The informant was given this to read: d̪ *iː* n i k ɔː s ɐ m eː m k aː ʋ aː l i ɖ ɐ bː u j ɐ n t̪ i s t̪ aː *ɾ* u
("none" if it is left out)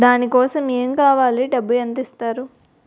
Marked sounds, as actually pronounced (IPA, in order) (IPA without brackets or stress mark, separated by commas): aː, ɾ